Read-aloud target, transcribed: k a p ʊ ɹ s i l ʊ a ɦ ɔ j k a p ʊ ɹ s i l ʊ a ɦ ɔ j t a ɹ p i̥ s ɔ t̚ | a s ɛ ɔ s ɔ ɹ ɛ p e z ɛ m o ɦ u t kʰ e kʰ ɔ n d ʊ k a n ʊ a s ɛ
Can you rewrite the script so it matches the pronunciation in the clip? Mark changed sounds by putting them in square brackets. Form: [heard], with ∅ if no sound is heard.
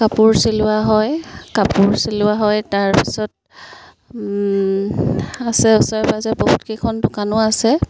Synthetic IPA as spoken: k a p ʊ ɹ s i l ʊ a ɦ ɔ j k a p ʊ ɹ s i l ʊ a ɦ ɔ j t a ɹ p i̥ s ɔ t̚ | a s ɛ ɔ s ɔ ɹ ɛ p [a] z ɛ [b] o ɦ u t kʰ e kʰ ɔ n d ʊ k a n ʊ a s ɛ